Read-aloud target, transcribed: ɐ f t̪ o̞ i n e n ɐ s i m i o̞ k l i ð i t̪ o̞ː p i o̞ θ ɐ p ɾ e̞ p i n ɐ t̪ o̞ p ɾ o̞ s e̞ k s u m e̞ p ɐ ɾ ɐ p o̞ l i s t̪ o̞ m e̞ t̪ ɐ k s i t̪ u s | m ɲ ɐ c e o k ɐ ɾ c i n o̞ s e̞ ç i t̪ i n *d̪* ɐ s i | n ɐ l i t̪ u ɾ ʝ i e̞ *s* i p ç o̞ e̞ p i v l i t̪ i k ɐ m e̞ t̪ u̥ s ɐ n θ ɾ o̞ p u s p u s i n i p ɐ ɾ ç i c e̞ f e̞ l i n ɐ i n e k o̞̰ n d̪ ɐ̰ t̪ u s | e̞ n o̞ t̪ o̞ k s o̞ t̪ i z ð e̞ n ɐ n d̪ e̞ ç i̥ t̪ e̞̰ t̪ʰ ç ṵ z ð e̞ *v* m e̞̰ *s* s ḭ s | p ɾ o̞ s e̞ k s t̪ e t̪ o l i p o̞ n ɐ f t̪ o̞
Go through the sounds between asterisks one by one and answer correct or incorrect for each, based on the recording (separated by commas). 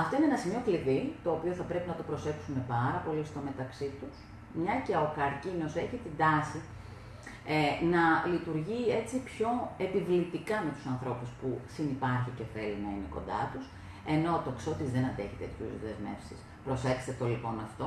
correct, incorrect, incorrect, incorrect